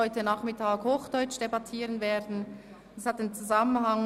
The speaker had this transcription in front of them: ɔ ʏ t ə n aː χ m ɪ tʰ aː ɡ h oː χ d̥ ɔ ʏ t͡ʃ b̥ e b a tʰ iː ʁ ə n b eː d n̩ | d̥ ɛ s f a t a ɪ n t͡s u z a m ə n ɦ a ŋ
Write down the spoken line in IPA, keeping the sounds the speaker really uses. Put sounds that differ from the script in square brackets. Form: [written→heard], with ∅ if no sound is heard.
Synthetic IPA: ɔ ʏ t ə n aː χ m ɪ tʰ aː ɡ h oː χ d̥ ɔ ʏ t͡ʃ [b̥→d̥] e b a tʰ iː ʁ ə n [b→v] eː d n̩ | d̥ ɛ s [f→h] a t a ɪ n t͡s u z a m ə n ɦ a ŋ